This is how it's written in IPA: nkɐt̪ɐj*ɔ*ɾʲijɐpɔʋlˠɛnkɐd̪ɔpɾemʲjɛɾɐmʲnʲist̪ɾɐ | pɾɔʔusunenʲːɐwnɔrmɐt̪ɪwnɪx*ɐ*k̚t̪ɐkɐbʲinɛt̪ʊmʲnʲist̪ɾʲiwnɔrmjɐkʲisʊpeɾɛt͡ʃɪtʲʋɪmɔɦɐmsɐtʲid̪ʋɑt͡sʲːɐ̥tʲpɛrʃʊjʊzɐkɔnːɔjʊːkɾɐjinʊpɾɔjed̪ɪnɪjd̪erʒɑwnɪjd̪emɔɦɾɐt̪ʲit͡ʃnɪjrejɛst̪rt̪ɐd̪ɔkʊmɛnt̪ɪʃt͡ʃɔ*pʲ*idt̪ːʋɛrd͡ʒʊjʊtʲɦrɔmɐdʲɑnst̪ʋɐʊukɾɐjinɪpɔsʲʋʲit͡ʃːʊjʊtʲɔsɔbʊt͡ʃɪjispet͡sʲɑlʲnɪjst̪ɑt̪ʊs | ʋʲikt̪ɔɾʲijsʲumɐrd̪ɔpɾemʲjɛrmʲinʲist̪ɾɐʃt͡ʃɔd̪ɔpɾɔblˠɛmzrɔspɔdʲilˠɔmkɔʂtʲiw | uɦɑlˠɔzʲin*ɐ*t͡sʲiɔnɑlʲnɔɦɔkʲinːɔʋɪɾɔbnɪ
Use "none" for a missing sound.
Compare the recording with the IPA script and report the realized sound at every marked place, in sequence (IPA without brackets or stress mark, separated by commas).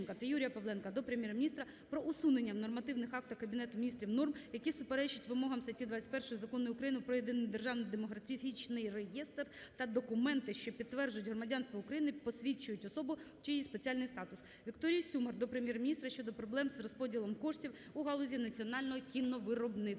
u, ɑ, pʲ, ɐ